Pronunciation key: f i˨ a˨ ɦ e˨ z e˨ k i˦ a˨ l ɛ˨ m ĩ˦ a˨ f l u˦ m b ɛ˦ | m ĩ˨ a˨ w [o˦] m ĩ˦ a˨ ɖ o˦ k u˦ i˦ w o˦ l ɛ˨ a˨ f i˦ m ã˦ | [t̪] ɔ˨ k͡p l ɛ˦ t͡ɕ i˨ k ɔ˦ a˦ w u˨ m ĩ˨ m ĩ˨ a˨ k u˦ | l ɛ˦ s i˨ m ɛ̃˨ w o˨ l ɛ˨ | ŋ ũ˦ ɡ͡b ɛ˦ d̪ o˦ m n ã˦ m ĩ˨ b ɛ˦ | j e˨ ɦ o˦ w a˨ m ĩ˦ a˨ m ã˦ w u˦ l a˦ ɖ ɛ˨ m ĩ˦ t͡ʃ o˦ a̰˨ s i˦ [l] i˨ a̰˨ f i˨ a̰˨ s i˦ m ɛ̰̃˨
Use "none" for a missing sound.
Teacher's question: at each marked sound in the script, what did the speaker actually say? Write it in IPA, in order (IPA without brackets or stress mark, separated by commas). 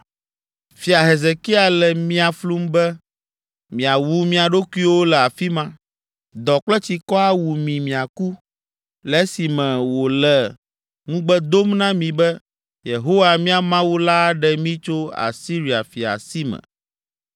u˦, d̪, ɾ